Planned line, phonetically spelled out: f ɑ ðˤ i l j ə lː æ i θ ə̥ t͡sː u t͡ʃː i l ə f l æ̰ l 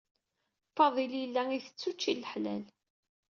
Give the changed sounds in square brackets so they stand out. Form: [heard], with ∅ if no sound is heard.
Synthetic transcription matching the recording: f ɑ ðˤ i l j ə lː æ i θ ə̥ t͡sː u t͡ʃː i l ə [ħ] l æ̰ l